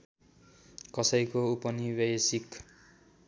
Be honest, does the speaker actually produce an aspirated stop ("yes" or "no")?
no